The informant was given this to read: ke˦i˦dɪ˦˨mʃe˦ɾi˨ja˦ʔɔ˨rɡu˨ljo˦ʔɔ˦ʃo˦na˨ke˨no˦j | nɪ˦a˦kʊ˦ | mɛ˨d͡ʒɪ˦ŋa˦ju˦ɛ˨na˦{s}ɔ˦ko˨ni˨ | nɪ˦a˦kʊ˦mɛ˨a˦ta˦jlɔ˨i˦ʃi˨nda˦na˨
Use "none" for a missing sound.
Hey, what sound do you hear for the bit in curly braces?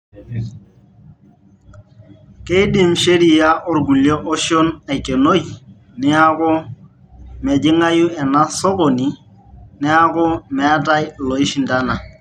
s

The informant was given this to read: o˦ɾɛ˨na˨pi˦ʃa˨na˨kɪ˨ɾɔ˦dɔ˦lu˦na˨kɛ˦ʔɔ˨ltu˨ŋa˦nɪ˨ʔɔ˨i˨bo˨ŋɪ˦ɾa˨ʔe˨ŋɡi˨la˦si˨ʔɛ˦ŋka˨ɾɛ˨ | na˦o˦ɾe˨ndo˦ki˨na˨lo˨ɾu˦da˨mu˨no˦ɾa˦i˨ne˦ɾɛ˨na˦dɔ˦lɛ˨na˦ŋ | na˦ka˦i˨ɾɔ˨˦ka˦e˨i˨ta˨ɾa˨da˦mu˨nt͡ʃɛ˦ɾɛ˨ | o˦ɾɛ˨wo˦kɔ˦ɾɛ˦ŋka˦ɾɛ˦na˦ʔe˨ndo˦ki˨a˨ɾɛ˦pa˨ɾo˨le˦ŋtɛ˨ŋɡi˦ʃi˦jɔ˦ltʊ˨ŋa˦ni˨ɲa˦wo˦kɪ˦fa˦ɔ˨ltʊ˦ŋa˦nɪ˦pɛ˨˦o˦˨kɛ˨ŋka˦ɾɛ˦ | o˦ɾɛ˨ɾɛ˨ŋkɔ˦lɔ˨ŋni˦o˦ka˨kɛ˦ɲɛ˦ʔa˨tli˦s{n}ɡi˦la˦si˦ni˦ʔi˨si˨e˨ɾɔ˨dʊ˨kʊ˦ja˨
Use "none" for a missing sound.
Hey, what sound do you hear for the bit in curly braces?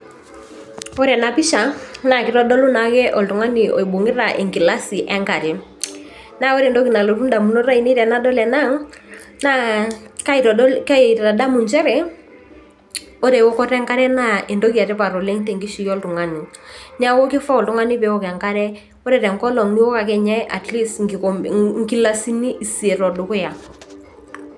ŋ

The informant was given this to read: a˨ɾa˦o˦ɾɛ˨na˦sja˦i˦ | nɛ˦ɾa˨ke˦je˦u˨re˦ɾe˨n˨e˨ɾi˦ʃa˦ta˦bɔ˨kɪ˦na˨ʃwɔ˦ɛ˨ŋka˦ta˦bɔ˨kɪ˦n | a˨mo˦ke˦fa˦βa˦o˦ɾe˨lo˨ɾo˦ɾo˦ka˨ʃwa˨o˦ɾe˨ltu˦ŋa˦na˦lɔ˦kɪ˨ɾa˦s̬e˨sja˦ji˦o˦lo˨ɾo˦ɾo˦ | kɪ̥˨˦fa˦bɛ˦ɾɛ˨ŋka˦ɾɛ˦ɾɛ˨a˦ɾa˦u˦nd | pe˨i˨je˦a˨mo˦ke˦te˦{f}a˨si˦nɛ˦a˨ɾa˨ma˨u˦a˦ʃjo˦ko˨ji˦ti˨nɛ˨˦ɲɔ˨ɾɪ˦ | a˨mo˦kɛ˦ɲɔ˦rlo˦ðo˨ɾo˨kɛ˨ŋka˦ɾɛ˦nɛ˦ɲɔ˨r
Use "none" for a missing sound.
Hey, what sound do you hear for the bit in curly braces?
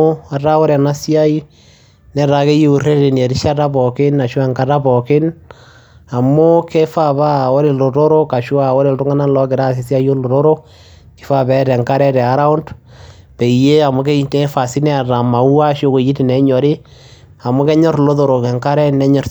f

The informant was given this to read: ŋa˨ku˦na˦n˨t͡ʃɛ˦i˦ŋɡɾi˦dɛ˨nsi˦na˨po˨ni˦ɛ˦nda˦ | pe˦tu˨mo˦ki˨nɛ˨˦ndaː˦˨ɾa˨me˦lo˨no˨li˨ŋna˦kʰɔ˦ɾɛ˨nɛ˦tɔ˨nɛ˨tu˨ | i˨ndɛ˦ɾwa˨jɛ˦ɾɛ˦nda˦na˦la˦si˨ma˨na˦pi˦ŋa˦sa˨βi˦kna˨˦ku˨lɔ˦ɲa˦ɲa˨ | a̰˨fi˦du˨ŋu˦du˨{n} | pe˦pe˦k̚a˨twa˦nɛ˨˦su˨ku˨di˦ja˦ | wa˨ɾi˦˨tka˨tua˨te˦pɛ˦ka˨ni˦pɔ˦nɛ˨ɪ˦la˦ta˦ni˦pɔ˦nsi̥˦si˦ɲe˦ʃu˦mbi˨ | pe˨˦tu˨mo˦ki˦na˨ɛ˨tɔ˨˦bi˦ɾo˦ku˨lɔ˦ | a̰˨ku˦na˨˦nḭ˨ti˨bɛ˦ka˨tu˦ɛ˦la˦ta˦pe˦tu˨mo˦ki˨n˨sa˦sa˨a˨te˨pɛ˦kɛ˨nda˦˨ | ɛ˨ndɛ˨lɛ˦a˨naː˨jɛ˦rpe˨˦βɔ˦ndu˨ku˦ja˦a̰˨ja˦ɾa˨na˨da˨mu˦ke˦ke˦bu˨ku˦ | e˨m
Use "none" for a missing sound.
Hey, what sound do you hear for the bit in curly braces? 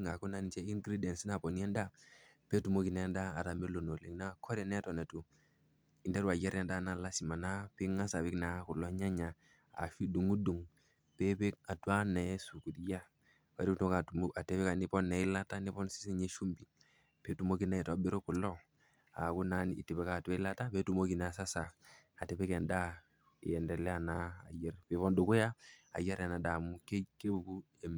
ŋ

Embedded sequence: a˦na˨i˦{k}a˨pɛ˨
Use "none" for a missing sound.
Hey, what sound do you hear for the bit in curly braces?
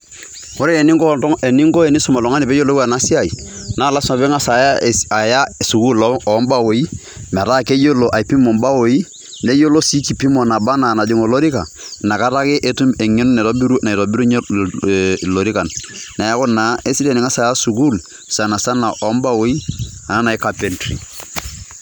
k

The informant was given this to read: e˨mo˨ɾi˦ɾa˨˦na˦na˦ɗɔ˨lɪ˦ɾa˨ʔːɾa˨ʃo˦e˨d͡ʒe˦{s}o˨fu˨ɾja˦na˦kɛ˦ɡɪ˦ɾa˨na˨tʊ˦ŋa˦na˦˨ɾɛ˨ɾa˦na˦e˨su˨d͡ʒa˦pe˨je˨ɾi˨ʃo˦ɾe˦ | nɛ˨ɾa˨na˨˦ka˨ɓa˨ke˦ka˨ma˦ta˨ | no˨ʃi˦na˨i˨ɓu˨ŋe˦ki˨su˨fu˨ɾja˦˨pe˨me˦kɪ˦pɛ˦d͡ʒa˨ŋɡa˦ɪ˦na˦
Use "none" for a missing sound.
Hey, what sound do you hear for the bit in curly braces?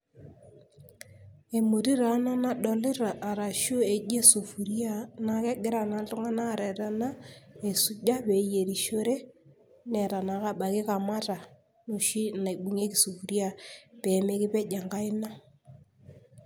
s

